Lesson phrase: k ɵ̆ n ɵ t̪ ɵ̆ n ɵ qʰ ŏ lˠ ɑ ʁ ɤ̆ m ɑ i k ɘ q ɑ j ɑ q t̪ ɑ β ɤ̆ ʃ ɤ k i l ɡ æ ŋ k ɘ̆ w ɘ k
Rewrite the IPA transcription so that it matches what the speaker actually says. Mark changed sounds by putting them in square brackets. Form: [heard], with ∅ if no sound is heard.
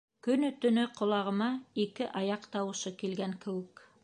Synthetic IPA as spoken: k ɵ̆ n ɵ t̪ ɵ̆ n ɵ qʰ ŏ lˠ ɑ ʁ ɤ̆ m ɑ i k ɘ [ʔ] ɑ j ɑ q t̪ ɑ [w] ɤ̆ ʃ ɤ k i l ɡ æ ŋ k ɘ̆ w ɘ k

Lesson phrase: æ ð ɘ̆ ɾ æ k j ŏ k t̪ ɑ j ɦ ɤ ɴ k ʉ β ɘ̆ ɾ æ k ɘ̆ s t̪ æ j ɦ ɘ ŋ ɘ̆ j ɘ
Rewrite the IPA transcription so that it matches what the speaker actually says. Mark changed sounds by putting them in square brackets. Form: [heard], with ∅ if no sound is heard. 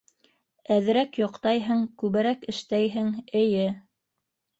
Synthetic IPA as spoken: æ ð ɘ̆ ɾ æ k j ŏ [q] t̪ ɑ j ɦ ɤ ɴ k ʉ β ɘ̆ ɾ æ k ɘ̆ [ʃ] t̪ æ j ɦ ɘ ŋ ɘ̆ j ɘ

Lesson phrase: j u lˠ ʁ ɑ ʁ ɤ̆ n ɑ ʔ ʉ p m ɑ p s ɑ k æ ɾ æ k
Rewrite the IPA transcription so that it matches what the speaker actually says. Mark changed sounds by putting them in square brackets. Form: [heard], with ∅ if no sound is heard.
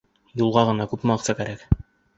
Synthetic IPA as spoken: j u lˠ ʁ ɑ ʁ ɤ̆ n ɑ [k] ʉ p m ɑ [q] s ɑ k æ ɾ æ k

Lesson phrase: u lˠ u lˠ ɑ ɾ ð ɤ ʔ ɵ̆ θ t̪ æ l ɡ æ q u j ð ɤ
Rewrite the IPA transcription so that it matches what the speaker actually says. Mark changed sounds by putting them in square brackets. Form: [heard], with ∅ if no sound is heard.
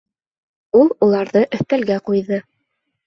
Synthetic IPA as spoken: u lˠ u lˠ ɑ ɾ ð ɤ ʔ ɵ̆ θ t̪ æ l ɡ æ q u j ð ɤ

